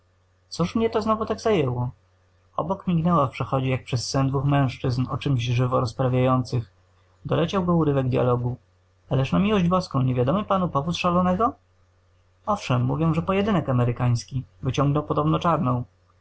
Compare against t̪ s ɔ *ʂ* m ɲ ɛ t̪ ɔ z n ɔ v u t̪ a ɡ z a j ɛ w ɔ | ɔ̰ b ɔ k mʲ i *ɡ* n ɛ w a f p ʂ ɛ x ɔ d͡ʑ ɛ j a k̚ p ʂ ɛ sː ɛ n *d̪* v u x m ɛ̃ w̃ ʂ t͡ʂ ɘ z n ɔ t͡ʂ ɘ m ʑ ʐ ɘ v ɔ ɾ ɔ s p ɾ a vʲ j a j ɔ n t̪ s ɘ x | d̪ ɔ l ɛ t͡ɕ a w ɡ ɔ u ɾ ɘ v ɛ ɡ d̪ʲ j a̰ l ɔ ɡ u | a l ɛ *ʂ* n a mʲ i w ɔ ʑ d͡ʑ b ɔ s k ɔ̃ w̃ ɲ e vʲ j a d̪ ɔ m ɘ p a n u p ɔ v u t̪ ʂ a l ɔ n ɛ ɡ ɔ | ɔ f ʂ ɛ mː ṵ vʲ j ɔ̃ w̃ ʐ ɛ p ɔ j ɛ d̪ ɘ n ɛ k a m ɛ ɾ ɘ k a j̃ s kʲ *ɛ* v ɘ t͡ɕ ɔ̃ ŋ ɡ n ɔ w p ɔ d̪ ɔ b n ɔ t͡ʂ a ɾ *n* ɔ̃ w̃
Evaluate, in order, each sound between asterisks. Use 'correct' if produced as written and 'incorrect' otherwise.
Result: correct, correct, correct, correct, incorrect, correct

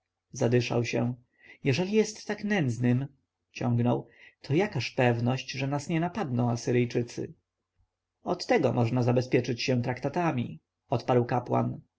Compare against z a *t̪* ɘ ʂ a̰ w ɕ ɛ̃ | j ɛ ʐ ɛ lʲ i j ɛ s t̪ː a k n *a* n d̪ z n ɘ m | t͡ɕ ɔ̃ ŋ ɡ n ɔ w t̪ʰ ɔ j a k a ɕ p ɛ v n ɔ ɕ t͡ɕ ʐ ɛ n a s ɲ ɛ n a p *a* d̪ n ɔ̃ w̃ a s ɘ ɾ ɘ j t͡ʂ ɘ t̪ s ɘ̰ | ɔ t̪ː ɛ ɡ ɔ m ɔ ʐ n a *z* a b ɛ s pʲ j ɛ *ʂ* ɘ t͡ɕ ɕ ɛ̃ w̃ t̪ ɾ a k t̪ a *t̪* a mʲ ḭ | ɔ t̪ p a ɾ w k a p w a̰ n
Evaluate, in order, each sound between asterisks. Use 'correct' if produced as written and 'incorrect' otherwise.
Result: incorrect, incorrect, correct, correct, incorrect, correct

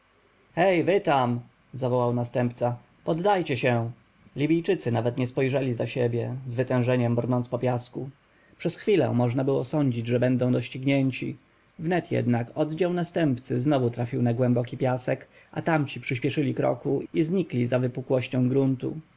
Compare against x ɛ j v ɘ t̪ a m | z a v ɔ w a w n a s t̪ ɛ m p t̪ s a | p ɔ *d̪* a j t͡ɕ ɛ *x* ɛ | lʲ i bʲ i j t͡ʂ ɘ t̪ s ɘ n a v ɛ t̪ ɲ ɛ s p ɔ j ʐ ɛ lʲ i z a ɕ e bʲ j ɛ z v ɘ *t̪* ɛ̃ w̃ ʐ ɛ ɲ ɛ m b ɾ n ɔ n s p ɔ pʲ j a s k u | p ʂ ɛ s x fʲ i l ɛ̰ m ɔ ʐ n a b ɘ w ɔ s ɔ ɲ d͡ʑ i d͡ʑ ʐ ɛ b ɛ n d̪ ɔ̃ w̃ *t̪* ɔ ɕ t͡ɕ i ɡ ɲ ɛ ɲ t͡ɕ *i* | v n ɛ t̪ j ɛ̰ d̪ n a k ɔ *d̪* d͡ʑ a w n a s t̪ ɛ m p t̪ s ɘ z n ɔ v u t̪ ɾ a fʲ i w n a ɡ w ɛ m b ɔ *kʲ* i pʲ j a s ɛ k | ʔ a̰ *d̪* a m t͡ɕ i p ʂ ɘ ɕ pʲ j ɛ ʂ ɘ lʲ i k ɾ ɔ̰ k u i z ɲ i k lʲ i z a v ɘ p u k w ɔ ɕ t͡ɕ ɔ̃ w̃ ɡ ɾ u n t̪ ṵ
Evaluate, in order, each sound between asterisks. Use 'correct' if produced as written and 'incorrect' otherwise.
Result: incorrect, incorrect, correct, incorrect, correct, correct, correct, incorrect

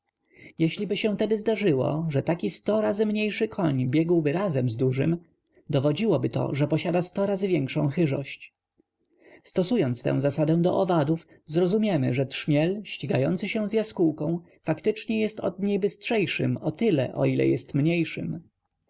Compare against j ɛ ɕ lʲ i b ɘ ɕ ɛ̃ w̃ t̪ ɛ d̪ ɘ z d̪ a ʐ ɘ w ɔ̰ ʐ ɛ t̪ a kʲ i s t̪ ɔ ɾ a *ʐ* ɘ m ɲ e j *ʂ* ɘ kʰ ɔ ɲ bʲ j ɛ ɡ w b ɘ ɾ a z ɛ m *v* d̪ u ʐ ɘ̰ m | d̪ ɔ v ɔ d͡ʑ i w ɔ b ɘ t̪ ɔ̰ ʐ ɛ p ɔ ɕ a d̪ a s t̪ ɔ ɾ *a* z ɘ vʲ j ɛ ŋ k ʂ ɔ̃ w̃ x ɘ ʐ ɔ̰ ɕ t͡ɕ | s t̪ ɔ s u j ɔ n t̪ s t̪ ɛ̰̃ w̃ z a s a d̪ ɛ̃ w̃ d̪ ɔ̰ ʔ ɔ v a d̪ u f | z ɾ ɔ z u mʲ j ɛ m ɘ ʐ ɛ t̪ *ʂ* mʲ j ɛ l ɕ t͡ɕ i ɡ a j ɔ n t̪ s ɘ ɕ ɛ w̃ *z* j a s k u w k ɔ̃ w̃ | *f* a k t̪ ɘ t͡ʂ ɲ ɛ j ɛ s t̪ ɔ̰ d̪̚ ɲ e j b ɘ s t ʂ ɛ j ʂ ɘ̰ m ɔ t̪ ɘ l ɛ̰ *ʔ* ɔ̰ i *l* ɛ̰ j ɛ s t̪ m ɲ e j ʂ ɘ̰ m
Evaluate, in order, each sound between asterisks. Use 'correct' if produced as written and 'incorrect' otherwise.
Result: incorrect, correct, incorrect, correct, correct, correct, correct, correct, correct

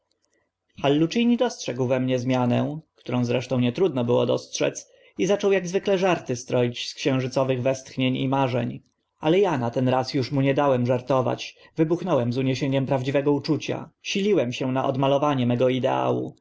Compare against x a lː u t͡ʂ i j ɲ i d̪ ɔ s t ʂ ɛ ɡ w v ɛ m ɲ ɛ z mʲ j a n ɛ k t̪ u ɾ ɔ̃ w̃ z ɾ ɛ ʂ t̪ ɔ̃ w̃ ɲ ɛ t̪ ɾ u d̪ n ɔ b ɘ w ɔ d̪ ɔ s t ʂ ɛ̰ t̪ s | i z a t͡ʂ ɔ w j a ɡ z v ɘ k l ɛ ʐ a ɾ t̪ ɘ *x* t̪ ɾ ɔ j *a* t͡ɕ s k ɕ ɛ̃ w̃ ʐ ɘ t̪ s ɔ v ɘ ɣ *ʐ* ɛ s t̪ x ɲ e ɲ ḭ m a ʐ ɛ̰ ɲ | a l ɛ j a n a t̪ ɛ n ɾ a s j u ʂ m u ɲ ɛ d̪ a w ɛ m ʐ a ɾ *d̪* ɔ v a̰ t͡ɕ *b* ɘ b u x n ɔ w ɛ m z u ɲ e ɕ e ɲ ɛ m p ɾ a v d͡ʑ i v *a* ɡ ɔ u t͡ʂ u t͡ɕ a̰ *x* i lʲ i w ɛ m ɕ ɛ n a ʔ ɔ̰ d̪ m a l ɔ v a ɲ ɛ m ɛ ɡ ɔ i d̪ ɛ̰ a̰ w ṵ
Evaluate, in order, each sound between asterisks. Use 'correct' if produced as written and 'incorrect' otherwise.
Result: incorrect, incorrect, incorrect, incorrect, incorrect, incorrect, incorrect

